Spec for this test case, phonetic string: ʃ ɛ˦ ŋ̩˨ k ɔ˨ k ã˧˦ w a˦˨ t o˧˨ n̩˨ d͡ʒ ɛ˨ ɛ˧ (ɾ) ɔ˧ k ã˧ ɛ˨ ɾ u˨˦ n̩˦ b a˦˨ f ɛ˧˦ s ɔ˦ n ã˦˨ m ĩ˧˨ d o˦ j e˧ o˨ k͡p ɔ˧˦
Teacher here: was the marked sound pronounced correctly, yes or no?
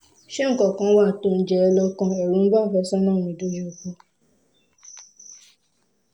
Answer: no